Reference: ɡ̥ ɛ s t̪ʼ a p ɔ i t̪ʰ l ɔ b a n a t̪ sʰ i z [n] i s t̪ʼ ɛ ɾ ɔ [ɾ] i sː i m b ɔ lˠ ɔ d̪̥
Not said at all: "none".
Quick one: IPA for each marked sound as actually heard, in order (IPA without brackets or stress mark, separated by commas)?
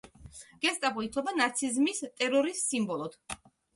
m, ɾ